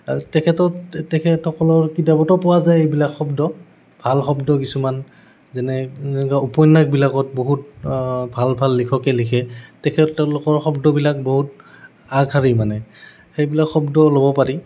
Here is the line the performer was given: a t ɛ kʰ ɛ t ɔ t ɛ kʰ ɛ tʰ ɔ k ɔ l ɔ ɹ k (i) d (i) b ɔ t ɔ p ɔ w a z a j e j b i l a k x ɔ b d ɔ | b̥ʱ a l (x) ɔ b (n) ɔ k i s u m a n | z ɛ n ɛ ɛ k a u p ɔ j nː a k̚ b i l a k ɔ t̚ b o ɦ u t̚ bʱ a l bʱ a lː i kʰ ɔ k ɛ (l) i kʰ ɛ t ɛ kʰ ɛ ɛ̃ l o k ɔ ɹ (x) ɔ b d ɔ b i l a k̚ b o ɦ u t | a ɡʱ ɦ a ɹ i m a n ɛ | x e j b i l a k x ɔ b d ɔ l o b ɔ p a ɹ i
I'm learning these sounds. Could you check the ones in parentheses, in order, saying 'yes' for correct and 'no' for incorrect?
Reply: yes, no, yes, no, yes, yes

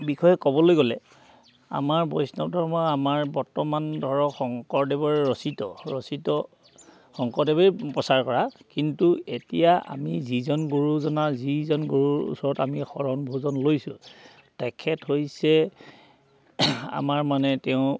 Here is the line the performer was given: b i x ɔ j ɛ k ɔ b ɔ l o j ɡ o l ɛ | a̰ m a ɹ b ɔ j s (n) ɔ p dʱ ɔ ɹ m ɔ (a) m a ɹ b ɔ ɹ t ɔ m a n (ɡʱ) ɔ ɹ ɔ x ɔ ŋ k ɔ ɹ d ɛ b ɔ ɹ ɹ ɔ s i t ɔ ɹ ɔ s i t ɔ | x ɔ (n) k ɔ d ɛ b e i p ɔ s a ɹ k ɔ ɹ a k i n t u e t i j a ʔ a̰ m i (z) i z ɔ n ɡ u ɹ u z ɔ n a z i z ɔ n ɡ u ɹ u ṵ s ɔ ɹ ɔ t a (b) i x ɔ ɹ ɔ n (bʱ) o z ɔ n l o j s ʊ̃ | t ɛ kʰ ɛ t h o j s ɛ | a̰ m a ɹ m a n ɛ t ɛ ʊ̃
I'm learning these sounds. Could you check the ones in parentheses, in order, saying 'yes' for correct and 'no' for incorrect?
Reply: yes, yes, no, no, yes, no, yes

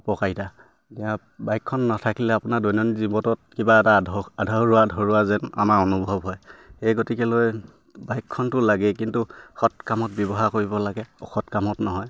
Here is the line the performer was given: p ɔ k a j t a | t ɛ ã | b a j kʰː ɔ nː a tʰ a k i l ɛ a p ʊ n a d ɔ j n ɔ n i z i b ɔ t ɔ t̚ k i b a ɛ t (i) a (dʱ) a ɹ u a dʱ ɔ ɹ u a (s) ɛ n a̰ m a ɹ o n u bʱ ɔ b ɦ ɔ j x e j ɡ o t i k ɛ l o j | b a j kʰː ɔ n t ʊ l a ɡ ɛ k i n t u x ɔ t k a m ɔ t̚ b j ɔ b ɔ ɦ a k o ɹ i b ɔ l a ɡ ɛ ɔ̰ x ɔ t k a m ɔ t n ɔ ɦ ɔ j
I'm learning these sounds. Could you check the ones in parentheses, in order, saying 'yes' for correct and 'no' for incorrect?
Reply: no, yes, no

